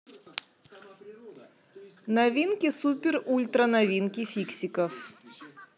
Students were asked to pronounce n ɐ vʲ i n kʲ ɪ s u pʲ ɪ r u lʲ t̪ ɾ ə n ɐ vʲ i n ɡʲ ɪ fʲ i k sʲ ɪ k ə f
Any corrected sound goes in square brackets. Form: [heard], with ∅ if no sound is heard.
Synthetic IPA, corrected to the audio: n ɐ vʲ i n kʲ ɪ s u pʲ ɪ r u lʲ t̪ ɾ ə n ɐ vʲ i n [kʲ] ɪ fʲ i k sʲ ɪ k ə f